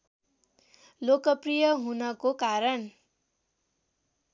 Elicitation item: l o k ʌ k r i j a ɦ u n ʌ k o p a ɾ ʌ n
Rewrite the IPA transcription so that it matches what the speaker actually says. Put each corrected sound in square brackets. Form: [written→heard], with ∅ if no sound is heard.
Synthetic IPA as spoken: l o k ʌ [k→p] r i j [a→ʌ] ɦ u n ʌ k o [p→k] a ɾ ʌ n